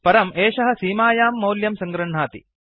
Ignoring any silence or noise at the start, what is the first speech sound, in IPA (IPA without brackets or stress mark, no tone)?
p